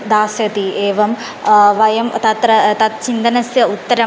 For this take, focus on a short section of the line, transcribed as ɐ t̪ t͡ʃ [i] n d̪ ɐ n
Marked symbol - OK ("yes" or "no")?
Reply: yes